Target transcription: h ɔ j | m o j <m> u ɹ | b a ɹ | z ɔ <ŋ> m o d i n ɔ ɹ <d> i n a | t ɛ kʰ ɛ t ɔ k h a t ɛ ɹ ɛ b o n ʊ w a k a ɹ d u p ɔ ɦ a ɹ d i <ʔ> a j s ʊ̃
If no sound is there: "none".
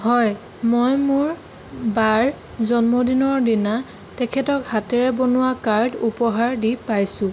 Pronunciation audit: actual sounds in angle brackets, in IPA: m, n, d, p

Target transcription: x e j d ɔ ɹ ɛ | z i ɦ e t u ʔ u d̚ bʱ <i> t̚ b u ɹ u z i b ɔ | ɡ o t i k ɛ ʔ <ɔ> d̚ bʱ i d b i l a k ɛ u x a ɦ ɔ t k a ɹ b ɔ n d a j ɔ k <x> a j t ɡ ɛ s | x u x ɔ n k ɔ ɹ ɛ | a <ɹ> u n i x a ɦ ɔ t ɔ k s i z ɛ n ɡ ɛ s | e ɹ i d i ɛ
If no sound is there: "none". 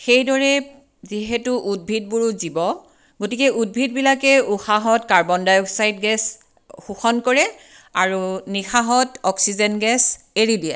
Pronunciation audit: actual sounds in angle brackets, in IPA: i, u, s, ɹ

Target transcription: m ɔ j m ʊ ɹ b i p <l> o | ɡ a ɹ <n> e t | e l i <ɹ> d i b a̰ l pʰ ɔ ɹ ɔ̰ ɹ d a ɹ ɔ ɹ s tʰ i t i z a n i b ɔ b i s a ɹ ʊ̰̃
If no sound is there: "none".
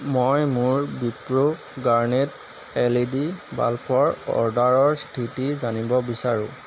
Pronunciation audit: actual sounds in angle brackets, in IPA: ɹ, n, none

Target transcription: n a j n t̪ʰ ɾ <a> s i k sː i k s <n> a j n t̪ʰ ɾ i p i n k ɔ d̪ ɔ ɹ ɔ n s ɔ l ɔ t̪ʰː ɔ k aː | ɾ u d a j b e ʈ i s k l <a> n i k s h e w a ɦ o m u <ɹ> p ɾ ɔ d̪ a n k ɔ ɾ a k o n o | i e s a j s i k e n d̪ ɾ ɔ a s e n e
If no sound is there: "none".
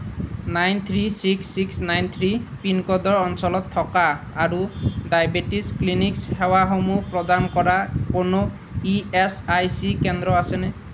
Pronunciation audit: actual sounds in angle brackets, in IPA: i, n, i, none

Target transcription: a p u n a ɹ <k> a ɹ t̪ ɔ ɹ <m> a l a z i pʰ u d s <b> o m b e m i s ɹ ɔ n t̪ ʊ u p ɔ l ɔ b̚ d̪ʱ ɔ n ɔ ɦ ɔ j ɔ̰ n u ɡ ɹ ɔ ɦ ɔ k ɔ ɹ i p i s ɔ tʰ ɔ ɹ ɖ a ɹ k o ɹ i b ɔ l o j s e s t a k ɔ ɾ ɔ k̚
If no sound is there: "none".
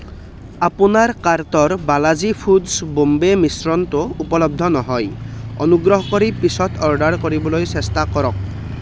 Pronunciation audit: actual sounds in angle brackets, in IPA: k, b, b

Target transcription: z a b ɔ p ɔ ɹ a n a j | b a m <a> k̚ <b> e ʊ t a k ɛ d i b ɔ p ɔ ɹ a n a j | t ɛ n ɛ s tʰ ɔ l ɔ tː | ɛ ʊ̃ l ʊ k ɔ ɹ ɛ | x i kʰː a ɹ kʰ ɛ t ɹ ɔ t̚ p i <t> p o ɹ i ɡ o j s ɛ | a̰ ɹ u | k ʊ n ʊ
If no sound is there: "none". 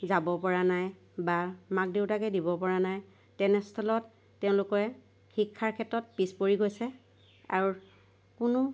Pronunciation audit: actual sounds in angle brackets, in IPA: a, d, s

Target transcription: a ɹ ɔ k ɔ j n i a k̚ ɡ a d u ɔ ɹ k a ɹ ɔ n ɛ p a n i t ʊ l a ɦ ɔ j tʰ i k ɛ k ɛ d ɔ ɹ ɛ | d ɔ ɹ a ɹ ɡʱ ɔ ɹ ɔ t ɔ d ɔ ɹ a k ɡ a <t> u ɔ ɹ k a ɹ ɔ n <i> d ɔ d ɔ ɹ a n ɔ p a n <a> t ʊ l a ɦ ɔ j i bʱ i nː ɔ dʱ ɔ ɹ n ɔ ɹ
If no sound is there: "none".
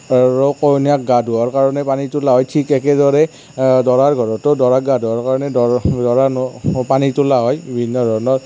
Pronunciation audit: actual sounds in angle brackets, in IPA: d, ɛ, i

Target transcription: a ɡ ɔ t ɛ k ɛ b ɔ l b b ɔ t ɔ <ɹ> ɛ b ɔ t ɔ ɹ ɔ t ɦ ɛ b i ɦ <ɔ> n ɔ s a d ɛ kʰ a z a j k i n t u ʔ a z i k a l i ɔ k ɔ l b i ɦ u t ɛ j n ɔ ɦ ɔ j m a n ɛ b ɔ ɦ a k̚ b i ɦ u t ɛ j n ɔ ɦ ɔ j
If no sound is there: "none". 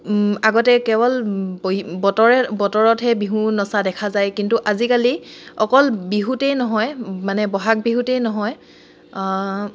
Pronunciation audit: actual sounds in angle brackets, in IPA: ɹ, u

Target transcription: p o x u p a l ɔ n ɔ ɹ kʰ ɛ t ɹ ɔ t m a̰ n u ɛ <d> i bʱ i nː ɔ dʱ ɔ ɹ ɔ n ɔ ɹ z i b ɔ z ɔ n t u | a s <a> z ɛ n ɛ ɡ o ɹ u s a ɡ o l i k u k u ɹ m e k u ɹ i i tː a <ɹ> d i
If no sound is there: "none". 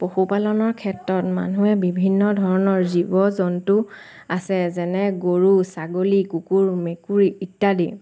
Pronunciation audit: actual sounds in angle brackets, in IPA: b, ɛ, none

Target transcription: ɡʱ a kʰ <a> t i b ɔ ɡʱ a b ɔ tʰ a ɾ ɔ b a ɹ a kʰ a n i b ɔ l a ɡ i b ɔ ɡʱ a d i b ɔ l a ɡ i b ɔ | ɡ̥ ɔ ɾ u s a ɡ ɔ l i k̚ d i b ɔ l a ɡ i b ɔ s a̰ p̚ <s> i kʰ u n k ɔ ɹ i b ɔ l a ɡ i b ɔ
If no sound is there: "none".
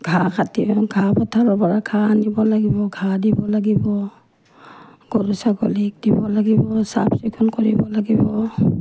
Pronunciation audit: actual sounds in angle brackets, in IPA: a, s

